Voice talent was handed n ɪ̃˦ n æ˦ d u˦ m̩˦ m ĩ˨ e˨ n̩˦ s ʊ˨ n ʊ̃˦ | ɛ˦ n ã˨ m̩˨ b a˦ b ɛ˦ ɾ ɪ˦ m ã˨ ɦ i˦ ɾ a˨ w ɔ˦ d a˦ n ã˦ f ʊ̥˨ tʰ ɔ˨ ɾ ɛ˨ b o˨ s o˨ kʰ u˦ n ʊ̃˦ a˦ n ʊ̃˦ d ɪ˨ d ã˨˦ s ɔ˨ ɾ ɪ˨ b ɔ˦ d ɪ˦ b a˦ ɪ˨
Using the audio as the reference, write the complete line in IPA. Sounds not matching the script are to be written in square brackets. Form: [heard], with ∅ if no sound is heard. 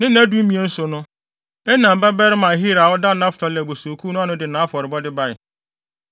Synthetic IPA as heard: n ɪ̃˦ n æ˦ d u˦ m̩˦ m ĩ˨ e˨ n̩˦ s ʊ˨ n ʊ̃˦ | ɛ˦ n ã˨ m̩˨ b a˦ b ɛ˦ ɾ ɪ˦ m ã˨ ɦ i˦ ɾ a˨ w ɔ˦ d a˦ n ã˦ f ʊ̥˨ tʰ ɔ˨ [l] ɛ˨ b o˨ s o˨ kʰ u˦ n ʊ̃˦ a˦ n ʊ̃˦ d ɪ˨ [n] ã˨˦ [f] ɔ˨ ɾ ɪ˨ b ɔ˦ d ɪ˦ b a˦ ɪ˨

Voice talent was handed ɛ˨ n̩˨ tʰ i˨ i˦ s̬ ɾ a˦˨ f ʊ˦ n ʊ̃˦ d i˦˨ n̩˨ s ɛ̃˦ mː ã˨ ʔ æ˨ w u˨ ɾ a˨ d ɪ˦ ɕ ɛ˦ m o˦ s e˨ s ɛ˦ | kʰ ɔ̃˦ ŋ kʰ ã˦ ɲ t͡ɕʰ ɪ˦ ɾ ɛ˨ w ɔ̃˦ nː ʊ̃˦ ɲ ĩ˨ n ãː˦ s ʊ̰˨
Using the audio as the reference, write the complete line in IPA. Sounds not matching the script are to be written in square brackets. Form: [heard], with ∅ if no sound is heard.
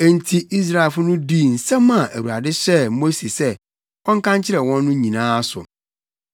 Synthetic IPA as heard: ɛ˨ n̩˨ tʰ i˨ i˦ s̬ ɾ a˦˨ f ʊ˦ n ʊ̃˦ d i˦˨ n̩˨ s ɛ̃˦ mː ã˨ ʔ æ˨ w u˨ ɾ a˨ d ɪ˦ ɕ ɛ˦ m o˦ s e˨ s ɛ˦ | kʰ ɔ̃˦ ŋ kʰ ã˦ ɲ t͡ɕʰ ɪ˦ ɾ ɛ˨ w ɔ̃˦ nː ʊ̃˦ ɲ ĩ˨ n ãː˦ s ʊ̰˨

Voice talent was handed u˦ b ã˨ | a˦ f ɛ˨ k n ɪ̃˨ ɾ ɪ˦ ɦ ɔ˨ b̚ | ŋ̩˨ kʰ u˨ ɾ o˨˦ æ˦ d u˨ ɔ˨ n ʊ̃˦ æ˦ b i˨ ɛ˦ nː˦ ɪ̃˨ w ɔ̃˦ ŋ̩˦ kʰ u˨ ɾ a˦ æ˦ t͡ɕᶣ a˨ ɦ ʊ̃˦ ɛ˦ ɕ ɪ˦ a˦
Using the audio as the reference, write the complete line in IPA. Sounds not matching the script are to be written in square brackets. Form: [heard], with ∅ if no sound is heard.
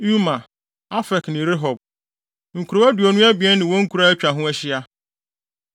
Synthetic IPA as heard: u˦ [m] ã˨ | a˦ f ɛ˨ k n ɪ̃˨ ɾ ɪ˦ ɦ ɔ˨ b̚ | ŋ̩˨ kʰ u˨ ɾ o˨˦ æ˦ d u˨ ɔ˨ n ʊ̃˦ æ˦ b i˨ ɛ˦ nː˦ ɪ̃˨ w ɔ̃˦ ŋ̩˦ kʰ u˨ ɾ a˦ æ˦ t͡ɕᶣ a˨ ɦ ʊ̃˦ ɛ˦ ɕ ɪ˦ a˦

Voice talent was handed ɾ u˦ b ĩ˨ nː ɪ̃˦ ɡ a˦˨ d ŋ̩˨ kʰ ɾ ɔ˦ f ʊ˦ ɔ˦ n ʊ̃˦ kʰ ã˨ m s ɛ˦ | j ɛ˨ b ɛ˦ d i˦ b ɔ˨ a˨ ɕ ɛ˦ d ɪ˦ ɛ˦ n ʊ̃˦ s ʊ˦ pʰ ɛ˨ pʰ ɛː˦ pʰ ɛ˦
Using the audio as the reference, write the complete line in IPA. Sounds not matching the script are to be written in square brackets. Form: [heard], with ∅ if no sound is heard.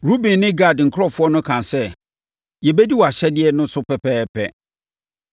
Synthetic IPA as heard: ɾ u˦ b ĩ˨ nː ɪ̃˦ ɡ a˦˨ d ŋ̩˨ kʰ ɾ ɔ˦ f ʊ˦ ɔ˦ n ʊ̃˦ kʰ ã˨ [n] s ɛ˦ | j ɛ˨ b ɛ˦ d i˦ [w] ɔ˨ a˨ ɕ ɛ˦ d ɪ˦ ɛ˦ n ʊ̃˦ s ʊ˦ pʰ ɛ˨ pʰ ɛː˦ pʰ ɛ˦

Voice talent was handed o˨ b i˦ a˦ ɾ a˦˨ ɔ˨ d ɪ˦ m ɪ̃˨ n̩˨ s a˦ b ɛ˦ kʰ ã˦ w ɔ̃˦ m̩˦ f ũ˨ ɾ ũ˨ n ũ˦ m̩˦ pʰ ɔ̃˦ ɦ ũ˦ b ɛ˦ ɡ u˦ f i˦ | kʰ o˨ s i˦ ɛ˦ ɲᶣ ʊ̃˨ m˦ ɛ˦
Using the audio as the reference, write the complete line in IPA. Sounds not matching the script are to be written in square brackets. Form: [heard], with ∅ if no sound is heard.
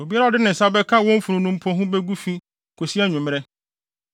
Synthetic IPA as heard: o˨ b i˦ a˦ ɾ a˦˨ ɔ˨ d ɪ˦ [n] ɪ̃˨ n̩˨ s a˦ b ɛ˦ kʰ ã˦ w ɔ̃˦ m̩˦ f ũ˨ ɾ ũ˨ n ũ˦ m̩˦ pʰ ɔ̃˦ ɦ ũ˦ b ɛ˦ ɡ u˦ f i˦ | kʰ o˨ s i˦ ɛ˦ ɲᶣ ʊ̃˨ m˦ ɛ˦

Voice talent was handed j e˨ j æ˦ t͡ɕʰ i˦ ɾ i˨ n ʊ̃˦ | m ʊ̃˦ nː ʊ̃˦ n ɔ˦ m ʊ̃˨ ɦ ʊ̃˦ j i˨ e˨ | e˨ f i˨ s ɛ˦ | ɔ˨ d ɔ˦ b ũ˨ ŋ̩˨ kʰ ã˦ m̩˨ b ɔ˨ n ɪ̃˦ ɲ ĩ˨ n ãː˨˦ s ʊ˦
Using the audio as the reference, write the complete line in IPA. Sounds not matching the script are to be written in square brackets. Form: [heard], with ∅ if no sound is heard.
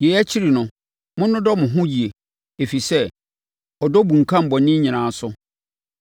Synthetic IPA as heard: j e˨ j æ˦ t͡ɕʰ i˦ ɾ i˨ n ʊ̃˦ | m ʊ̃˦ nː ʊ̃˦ [d] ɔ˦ m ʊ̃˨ ɦ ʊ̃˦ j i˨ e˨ | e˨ f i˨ s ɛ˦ | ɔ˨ d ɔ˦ b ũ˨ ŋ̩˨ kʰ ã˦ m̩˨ b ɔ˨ n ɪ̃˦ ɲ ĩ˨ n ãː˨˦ s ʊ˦

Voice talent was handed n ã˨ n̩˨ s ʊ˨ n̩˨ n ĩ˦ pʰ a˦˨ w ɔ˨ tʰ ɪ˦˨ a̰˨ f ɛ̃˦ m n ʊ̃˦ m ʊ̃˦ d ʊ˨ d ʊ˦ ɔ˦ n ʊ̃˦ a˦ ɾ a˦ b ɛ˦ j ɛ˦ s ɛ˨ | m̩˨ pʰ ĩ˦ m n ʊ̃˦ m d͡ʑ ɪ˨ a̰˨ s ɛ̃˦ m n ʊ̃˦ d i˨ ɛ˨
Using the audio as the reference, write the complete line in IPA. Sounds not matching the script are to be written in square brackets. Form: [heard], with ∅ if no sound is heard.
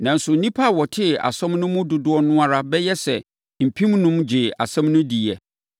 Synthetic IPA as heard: n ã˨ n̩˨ s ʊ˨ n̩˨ n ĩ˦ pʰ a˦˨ w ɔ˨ tʰ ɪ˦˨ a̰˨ [s] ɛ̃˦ m n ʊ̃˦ m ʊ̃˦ d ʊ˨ d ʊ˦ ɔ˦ n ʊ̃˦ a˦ ɾ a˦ b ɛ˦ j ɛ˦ s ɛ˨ | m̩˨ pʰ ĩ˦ m n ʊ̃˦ m d͡ʑ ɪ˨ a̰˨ s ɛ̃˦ m n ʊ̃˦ d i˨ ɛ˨

